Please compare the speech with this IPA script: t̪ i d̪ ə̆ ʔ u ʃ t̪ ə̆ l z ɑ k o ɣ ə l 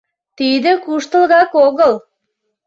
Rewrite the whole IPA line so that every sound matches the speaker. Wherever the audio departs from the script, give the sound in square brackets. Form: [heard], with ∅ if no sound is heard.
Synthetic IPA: t̪ i d̪ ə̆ [k] u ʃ t̪ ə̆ l [ɣ] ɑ k o ɣ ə l